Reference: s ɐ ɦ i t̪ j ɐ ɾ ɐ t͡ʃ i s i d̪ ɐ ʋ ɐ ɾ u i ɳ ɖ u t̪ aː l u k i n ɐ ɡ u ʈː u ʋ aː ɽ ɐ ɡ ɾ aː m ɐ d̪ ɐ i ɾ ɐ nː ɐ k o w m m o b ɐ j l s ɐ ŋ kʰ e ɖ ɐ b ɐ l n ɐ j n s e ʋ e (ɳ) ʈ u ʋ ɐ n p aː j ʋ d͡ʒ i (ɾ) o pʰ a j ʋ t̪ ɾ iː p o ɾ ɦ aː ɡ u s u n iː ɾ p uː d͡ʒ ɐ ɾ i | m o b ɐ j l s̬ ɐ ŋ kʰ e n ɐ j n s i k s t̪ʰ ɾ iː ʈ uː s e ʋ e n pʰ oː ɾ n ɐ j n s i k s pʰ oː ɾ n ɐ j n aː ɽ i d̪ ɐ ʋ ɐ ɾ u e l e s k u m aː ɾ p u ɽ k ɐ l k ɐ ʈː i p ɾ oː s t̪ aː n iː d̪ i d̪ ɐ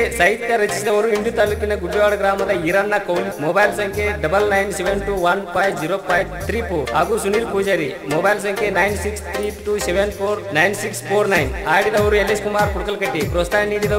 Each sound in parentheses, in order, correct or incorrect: incorrect, correct

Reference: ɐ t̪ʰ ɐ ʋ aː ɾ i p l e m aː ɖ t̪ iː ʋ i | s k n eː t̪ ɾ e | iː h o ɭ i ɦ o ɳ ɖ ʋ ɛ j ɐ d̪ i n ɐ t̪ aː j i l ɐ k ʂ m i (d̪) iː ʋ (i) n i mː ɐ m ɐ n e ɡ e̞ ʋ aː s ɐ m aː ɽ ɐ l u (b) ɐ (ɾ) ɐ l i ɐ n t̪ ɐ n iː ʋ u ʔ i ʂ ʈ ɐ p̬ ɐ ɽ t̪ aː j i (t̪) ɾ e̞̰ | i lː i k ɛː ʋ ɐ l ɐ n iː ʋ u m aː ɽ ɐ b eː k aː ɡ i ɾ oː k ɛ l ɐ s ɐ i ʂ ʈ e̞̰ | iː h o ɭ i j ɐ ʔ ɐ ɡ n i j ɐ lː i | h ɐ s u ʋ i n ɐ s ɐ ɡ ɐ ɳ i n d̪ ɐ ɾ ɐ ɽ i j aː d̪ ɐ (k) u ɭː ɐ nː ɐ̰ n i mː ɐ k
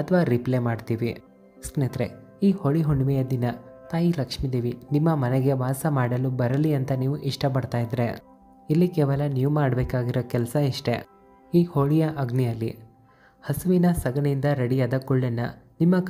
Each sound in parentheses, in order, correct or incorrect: correct, correct, correct, correct, incorrect, correct

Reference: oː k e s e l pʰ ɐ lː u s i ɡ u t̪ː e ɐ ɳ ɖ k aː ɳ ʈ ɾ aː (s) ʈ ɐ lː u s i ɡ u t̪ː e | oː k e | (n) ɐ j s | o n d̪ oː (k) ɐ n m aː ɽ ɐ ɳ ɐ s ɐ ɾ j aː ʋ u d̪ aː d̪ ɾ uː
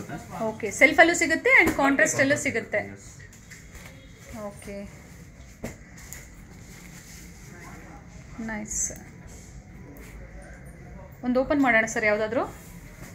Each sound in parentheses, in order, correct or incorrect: correct, correct, incorrect

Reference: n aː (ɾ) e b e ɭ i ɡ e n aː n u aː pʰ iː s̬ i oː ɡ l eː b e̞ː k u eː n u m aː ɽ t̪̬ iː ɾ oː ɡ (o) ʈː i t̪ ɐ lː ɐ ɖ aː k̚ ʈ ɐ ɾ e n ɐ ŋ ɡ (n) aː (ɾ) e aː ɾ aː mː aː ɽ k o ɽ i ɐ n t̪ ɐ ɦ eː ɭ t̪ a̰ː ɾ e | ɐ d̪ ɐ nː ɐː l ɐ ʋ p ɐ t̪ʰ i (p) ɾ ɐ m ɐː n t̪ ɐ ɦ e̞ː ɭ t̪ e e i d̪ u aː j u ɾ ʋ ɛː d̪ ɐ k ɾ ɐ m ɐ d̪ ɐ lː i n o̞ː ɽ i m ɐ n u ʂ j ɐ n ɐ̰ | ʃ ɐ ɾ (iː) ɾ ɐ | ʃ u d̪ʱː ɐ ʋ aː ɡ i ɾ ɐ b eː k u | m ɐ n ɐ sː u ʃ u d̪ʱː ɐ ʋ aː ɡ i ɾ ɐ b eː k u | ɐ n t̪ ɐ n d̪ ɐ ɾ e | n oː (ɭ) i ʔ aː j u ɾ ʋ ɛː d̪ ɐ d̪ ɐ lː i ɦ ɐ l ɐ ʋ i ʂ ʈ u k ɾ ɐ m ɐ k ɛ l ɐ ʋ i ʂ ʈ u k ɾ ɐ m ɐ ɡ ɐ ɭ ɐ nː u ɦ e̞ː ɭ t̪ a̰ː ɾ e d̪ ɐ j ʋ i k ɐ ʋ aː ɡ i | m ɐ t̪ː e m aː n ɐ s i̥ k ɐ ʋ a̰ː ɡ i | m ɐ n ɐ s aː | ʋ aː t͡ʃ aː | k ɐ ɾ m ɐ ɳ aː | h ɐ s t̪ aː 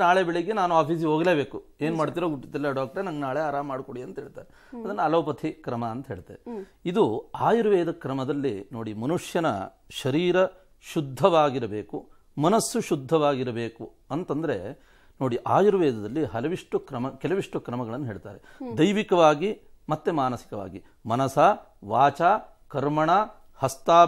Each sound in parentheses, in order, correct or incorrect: incorrect, incorrect, correct, incorrect, incorrect, correct, incorrect

